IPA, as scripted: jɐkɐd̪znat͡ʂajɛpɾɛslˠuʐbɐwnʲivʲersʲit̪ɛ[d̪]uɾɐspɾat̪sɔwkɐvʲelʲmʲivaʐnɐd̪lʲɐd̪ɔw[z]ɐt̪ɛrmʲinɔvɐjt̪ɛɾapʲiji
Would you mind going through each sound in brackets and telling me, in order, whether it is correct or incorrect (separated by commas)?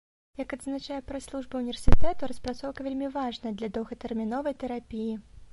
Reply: incorrect, incorrect